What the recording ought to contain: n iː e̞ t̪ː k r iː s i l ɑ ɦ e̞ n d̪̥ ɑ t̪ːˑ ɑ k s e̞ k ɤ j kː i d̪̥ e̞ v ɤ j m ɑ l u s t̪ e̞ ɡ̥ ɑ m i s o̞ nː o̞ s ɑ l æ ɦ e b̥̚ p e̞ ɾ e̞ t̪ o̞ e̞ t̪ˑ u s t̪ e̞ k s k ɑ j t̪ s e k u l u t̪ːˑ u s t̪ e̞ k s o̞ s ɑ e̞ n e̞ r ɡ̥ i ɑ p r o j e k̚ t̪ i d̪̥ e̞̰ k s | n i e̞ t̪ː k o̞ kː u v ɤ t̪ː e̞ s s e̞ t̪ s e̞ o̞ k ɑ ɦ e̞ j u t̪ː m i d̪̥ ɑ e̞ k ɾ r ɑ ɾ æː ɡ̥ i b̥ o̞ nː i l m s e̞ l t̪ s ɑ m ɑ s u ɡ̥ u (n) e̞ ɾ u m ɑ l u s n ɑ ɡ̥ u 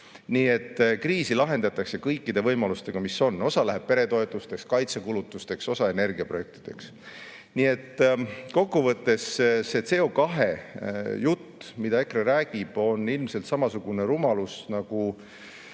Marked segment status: correct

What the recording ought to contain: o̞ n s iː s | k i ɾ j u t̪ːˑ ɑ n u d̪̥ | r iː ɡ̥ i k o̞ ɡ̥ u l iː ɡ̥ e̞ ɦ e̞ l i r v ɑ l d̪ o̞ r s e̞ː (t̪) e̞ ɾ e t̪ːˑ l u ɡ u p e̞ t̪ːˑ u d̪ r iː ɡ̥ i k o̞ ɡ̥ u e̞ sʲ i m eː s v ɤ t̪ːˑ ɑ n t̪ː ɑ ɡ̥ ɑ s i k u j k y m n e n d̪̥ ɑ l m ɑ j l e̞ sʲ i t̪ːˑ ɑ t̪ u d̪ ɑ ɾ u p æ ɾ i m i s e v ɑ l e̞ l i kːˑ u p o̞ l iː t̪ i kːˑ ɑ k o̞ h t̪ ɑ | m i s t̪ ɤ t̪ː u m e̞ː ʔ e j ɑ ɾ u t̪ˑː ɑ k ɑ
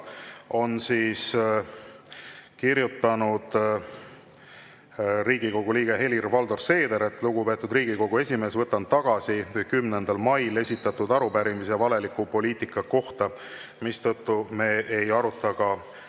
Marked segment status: incorrect: d̪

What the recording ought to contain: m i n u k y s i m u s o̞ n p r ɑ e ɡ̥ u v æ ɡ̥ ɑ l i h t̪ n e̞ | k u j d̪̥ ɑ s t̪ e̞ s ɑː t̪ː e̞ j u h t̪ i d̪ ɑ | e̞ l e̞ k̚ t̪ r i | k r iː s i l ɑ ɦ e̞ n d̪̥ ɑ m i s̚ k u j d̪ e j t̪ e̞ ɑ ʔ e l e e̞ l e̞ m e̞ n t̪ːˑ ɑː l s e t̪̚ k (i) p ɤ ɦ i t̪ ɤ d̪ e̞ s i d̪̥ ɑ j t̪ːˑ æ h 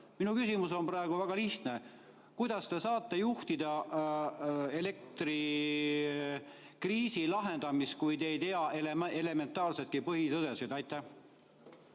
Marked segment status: correct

